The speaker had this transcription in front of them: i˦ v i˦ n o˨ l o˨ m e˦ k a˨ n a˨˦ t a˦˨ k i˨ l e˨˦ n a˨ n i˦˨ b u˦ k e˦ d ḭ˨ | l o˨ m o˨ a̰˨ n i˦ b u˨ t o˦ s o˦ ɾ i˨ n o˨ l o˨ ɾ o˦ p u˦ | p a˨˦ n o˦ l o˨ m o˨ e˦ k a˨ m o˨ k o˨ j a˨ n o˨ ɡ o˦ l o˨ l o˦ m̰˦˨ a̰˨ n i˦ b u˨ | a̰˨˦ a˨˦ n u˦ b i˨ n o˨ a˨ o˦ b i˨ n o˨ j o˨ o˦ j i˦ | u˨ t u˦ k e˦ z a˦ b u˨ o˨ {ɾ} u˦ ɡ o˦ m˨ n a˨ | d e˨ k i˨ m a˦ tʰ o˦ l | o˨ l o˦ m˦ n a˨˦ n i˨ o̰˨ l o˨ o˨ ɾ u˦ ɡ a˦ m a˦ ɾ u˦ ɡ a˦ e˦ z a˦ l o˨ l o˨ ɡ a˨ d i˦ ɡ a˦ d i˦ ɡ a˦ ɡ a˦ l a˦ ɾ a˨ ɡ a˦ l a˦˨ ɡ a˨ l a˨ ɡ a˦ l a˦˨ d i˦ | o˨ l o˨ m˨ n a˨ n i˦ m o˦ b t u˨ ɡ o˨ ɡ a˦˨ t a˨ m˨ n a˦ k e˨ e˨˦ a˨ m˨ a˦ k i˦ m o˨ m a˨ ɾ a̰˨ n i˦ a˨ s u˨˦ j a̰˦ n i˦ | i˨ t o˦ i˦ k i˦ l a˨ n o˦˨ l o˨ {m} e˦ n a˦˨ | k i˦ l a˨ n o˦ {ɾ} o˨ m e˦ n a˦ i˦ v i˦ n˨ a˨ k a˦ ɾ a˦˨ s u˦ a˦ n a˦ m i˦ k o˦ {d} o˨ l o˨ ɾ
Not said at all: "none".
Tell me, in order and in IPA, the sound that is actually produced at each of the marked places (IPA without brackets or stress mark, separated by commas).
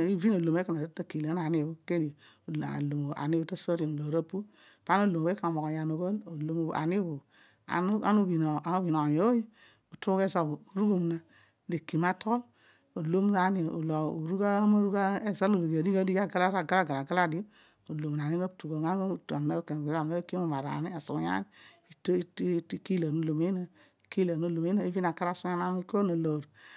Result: ɾ, m, l, n